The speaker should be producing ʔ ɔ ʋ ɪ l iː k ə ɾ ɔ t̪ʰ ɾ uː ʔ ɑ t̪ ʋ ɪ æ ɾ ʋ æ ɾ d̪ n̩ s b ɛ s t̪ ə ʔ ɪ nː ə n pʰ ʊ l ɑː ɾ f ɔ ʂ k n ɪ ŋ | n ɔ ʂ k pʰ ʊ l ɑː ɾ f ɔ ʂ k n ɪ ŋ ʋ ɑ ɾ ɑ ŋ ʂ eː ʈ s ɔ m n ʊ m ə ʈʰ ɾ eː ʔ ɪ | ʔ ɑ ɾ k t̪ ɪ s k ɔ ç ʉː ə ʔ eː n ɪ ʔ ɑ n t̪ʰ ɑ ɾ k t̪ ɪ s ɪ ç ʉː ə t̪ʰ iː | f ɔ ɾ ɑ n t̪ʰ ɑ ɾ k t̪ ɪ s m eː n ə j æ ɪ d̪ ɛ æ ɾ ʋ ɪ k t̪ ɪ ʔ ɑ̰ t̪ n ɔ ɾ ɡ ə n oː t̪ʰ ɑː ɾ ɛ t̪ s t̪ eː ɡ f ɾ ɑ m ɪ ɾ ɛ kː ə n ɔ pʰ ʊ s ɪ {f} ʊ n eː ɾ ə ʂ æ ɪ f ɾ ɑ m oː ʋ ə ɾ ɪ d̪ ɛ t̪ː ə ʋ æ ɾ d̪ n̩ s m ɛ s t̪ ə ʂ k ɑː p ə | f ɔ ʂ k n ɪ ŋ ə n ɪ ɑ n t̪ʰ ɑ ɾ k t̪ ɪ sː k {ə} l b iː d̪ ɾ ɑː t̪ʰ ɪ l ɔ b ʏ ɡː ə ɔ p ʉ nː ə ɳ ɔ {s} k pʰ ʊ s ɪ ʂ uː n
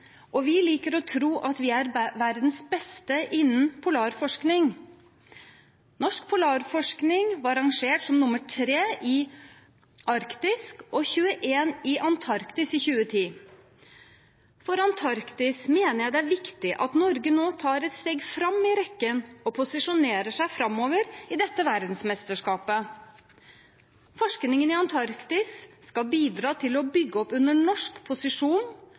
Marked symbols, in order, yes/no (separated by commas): no, no, no